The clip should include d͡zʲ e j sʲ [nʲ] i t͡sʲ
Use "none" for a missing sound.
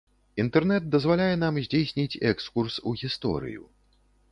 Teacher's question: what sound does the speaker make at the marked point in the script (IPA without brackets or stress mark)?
nʲ